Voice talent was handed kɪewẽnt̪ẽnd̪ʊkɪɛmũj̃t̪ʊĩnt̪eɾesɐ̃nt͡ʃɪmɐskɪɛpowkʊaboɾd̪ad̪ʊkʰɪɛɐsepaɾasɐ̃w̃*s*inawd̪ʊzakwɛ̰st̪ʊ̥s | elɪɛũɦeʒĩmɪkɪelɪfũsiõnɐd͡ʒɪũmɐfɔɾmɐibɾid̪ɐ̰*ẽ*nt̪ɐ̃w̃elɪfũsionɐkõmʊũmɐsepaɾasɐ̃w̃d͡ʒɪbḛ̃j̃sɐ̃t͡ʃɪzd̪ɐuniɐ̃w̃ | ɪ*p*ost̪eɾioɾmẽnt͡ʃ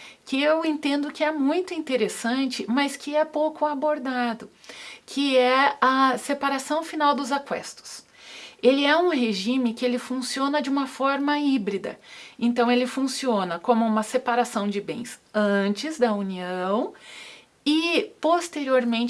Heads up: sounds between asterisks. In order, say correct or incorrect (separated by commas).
incorrect, correct, correct